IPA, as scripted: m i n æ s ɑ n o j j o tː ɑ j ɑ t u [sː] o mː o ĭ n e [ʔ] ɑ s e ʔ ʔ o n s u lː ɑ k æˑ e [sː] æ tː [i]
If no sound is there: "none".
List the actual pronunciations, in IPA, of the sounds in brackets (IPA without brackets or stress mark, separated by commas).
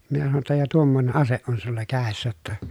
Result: none, ʔ, sː, æ